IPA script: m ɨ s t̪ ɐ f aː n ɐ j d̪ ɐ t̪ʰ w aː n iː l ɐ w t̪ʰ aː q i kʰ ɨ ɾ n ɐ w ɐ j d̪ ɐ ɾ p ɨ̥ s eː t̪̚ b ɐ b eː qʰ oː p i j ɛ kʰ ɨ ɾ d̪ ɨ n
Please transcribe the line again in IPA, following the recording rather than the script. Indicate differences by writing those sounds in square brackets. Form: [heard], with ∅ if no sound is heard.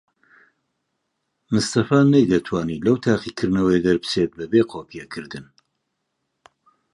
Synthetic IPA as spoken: m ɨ s t̪ ɐ f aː n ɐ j d̪ ɐ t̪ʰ w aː n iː l ɐ w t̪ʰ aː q i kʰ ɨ ɾ n ɐ w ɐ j d̪ ɐ ɾ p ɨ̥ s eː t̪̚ b ɐ b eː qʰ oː p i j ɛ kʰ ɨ ɾ d̪ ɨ n